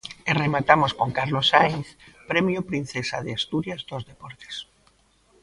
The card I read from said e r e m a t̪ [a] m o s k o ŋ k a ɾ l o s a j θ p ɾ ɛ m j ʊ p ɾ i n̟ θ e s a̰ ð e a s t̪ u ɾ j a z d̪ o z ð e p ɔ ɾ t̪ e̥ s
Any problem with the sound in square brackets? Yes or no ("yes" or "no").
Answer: no